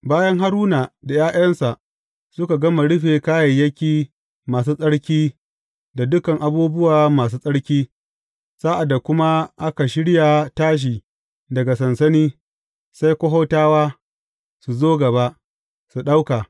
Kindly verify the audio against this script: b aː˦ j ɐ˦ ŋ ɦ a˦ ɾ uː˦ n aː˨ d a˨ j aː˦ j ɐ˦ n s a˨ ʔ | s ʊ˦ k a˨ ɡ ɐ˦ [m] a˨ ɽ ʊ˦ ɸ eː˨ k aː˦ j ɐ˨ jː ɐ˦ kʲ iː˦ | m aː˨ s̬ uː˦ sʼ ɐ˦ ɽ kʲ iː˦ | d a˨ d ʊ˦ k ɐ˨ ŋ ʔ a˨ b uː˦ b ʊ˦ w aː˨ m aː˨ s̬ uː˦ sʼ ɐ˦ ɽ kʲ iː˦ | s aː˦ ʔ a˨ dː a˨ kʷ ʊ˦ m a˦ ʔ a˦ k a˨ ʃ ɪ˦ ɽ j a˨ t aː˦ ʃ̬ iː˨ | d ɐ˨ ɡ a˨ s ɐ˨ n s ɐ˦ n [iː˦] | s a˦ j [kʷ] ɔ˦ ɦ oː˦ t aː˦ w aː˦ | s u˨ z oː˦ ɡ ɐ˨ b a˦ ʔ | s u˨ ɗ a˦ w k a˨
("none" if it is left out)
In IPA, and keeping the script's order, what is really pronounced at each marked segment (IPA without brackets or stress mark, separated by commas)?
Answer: m, iː˦, kʷ